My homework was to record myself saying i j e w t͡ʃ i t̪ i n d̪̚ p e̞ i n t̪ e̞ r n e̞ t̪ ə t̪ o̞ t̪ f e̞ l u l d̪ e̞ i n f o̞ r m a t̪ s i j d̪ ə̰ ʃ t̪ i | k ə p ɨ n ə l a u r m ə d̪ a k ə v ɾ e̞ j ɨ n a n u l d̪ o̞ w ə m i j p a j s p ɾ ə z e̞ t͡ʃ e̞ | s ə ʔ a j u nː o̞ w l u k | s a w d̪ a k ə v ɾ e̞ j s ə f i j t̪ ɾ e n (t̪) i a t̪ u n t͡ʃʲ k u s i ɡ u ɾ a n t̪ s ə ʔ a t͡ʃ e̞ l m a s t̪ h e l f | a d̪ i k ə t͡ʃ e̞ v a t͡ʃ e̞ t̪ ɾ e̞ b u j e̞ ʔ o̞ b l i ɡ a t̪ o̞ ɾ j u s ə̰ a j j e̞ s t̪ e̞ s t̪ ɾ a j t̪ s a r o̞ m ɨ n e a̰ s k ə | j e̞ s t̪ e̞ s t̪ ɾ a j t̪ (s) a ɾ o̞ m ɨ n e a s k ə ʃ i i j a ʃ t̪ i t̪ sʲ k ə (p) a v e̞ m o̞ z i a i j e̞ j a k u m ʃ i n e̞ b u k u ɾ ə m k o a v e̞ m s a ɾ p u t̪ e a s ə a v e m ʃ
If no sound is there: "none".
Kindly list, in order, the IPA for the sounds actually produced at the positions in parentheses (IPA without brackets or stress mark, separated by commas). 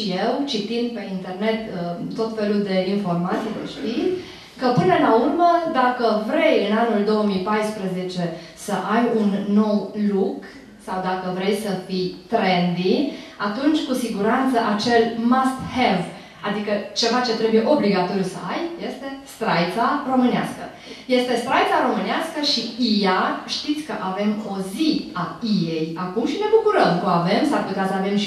d̪, s, ʔ